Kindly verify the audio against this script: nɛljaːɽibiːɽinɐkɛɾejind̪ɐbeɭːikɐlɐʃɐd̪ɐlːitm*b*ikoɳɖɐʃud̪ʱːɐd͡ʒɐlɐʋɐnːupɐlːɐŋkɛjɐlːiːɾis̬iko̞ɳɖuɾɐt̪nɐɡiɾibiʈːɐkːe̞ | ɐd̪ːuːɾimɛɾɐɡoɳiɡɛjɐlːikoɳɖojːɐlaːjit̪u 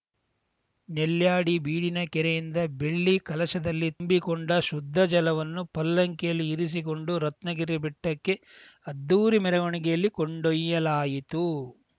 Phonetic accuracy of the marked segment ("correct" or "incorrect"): correct